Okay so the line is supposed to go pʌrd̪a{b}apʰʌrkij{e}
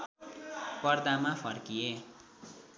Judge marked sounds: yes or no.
no, yes

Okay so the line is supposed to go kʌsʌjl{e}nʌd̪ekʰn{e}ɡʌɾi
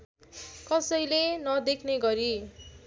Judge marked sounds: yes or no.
yes, yes

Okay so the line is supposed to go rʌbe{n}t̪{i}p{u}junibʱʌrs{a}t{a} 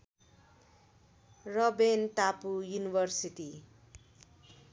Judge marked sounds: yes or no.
yes, no, yes, no, no

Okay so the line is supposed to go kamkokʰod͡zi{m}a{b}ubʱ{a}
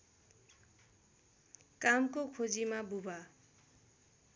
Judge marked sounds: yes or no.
yes, yes, yes

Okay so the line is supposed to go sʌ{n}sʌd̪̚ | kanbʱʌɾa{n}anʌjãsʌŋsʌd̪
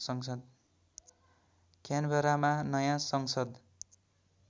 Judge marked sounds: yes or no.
no, no

